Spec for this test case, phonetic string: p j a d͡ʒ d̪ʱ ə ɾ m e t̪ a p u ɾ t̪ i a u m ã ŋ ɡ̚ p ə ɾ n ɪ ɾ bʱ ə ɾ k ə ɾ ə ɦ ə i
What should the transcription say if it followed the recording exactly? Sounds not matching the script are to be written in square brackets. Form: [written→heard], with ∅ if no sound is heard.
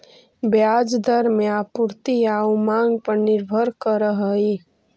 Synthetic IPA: [p→b] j a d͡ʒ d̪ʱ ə ɾ m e [t̪→∅] a p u ɾ t̪ i a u m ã ŋ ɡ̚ p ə ɾ n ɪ ɾ bʱ ə ɾ k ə ɾ ə ɦ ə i

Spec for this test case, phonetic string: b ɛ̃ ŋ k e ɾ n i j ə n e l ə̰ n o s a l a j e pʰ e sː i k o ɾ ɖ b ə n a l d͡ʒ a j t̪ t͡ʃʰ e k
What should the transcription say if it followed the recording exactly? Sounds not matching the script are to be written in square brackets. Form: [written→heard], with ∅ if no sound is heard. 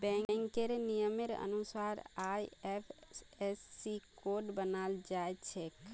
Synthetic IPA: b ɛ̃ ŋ k e ɾ n i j ə [n→m] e [l→ɾ] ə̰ n [o→u] s a [l→ɾ] a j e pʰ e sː i k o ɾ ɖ b ə n a l d͡ʒ a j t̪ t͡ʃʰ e k

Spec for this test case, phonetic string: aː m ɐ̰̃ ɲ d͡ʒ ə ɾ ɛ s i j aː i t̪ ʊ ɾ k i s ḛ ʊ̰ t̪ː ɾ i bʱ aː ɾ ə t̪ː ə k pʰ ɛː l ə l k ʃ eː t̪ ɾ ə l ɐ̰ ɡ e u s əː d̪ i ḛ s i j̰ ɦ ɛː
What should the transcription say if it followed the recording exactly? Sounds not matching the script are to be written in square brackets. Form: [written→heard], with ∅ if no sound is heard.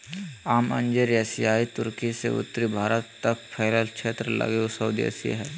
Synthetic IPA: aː m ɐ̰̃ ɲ d͡ʒ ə ɾ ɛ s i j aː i t̪ ʊ ɾ k i s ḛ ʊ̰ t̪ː ɾ i bʱ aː ɾ ə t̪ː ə k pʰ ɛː l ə l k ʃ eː t̪ ɾ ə l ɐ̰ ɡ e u s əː d̪ i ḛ s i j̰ ɦ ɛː

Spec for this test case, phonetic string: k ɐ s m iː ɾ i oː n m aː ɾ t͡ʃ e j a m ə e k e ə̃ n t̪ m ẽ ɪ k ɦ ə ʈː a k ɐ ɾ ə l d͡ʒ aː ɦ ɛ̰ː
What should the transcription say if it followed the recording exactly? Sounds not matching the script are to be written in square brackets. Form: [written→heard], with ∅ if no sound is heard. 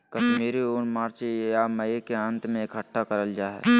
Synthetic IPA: k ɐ [s→ʃ] m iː ɾ i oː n m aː ɾ t͡ʃ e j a m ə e k e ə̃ n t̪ m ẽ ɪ k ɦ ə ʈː a k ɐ ɾ ə l d͡ʒ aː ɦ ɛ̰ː

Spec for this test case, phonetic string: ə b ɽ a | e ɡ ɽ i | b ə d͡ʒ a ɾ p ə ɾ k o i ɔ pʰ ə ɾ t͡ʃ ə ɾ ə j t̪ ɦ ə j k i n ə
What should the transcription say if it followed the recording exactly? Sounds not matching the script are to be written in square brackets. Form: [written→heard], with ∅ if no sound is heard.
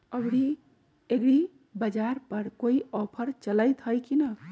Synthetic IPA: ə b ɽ [a→i] | e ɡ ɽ i | b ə d͡ʒ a ɾ p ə ɾ k o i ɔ pʰ ə ɾ t͡ʃ ə [ɾ→l] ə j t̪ ɦ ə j k i n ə

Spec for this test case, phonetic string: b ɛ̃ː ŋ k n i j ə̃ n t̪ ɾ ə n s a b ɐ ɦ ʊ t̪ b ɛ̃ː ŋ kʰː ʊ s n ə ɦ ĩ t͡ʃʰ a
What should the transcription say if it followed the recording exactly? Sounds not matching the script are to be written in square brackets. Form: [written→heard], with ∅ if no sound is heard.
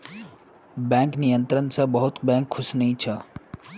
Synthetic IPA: b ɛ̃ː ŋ k n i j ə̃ n t̪ ɾ ə n s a b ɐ ɦ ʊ t̪ b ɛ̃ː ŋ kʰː ʊ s n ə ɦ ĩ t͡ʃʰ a

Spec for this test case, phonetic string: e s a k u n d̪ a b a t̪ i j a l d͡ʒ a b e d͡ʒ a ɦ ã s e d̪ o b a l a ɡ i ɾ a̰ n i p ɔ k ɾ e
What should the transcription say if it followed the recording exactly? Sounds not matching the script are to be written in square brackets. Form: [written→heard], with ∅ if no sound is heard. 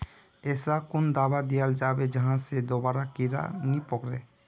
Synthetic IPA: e s a k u n d̪ a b a [t̪→d̪] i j a l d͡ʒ a b e d͡ʒ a ɦ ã s e d̪ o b a [l→ɾ] a [ɡ→k] i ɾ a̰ n i p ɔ k ɾ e

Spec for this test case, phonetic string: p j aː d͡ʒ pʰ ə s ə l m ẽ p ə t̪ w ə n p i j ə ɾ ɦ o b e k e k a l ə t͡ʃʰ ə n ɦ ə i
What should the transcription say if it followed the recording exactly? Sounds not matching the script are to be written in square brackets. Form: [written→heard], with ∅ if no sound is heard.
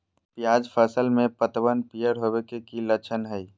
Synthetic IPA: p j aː d͡ʒ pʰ ə s ə l m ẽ p ə t̪ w ə n p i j ə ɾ ɦ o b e k e k [a→i] l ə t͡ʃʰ ə n ɦ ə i

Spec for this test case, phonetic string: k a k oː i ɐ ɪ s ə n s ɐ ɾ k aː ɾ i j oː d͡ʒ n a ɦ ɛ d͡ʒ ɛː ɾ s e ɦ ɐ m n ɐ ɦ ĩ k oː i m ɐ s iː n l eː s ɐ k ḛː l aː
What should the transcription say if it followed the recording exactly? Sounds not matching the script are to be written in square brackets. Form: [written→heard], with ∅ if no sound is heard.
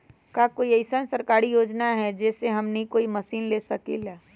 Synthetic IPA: k a k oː i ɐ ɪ s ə n s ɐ ɾ k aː ɾ i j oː d͡ʒ n a ɦ ɛ d͡ʒ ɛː [ɾ→∅] s e ɦ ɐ m n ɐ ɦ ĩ k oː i m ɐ s iː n l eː s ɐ k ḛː l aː

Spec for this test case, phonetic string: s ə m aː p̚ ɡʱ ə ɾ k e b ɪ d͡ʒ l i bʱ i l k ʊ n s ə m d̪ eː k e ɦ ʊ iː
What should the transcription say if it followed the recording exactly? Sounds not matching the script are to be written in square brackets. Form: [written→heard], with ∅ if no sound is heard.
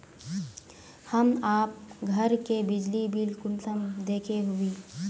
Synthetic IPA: [s→h] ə m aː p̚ ɡʱ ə ɾ k e b ɪ d͡ʒ l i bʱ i l k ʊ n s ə m d̪ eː [k→kʰ] e ɦ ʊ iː

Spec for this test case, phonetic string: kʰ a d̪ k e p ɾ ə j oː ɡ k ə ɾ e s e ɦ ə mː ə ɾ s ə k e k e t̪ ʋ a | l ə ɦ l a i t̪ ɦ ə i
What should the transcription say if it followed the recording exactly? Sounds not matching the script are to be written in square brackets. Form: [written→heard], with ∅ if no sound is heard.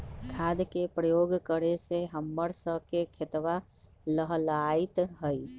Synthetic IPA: kʰ a d̪ k e p ɾ ə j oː ɡ k ə ɾ e s e ɦ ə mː ə ɾ s ə k e [k→kʰ] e t̪ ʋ a | l ə ɦ l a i t̪ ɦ ə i

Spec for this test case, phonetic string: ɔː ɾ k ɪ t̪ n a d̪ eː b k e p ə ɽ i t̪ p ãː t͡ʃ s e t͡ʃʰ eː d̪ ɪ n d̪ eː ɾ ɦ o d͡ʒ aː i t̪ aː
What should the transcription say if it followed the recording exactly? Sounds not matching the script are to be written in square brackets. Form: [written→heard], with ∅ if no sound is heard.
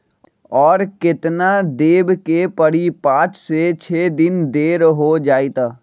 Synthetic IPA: ɔː ɾ k ɪ t̪ n a d̪ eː b k e p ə ɽ i [t̪→∅] p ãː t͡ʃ s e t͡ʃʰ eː d̪ ɪ n d̪ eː ɾ ɦ o d͡ʒ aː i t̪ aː

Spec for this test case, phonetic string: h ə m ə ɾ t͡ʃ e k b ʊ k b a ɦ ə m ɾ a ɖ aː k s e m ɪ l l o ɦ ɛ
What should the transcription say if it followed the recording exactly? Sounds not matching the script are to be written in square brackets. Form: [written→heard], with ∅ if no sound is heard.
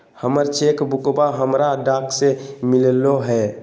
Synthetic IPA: h ə m ə ɾ t͡ʃ e k b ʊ k b a ɦ ə m ɾ a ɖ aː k s e m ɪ l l o ɦ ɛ

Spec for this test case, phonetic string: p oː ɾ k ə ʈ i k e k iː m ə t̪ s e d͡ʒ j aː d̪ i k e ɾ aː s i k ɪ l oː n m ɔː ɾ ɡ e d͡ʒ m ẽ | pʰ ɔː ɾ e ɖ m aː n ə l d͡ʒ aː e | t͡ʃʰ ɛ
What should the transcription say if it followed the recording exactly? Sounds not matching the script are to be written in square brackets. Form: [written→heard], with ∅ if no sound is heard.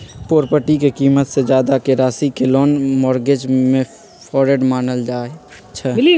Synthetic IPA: p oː ɾ [k→p] ə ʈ i k e k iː m ə t̪ s e d͡ʒ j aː d̪ [i→a] k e ɾ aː s i k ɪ l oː n m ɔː ɾ ɡ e d͡ʒ m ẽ | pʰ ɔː ɾ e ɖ m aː n ə l d͡ʒ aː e | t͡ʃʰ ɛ

